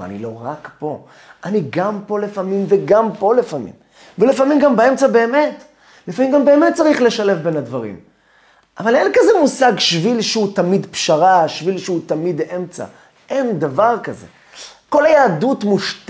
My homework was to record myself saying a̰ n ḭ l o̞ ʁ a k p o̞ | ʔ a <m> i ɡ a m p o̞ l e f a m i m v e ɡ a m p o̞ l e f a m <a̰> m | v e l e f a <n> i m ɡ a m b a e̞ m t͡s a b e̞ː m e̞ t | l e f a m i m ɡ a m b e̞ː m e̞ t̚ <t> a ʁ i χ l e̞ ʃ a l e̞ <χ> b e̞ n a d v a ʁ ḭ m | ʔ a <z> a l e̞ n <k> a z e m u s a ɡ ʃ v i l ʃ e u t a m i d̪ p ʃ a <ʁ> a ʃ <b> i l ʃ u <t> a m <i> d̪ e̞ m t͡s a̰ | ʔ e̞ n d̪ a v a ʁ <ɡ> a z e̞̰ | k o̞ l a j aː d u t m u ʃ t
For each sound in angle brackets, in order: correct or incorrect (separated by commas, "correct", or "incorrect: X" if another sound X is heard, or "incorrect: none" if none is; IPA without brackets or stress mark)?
incorrect: n, incorrect: ḭ, incorrect: m, incorrect: t͡s, incorrect: f, incorrect: v, correct, correct, incorrect: v, correct, correct, incorrect: k